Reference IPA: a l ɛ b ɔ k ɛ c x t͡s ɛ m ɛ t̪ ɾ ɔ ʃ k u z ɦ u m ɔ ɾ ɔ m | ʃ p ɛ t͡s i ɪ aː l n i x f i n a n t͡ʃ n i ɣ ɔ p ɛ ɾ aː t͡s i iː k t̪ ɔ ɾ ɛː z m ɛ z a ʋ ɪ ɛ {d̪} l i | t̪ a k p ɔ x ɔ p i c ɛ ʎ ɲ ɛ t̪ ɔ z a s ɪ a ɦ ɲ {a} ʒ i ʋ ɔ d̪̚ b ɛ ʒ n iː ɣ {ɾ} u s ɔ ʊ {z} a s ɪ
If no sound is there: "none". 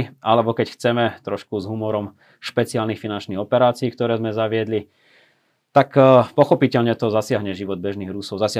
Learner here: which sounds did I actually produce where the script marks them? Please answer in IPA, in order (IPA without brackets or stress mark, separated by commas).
d̪, ɛ, ɾ, z